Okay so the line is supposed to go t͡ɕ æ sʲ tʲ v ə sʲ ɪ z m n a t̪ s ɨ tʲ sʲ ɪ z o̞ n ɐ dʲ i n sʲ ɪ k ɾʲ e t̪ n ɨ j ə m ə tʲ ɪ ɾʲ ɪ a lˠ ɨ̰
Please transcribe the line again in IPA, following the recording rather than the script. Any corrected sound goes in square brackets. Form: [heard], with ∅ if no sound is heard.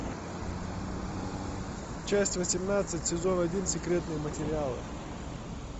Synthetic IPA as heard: t͡ɕ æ sʲ tʲ v ə sʲ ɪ [∅] m n a t̪ s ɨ tʲ sʲ ɪ z o̞ n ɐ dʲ i n sʲ ɪ k ɾʲ e t̪ n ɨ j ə m ə tʲ ɪ ɾʲ ɪ a lˠ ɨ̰